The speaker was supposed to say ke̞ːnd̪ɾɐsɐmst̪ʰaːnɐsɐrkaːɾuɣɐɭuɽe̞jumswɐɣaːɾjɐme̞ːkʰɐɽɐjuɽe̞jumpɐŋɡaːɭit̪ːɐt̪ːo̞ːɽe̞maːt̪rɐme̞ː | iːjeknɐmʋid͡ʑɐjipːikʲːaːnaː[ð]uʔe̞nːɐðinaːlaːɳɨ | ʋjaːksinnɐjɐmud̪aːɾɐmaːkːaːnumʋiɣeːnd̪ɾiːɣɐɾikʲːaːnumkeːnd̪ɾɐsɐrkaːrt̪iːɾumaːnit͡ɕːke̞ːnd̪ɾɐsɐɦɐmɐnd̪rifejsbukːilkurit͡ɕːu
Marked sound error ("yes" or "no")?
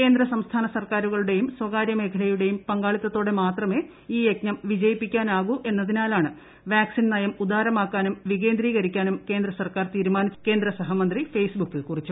yes